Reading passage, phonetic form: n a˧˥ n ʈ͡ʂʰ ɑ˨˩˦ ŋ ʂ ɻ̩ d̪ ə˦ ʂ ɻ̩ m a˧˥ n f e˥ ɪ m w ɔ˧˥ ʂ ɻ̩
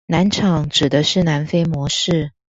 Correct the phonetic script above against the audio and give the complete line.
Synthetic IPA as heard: n a˧˥ n ʈ͡ʂʰ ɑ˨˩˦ ŋ ʈ͡ʂ ɻ̩ d̪ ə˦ ʂ ɻ̩ n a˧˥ n f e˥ ɪ m w ɔ˧˥ ʂ ɻ̩